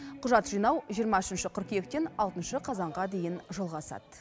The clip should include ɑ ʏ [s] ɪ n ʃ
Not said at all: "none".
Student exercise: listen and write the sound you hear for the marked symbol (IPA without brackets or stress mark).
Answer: ʃ